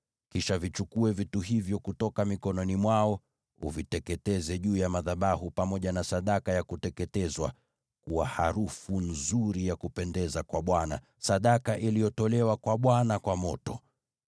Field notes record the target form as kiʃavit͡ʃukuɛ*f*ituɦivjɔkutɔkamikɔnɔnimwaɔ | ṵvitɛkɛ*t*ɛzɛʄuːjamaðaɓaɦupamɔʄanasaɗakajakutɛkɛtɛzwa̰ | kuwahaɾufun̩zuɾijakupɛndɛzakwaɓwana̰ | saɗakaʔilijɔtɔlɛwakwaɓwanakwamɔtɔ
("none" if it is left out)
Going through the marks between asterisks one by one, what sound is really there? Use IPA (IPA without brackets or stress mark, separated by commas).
v, t